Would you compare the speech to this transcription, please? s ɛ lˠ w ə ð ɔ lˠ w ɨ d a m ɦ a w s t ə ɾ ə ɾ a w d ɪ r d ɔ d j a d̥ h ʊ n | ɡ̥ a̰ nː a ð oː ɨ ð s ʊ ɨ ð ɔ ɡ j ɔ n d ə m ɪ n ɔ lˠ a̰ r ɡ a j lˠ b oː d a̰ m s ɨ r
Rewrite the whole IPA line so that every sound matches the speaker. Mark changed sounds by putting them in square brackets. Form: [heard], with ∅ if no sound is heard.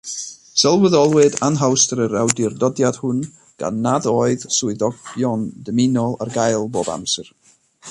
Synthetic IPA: s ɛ lˠ w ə ð ɔ lˠ w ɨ d a [n] ɦ a w s t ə ɾ ə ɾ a w d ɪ r d ɔ d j a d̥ h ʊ n | ɡ̥ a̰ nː a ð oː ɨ ð s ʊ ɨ ð ɔ ɡ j ɔ n d ə m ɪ n ɔ lˠ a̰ r ɡ a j lˠ b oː [b] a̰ m s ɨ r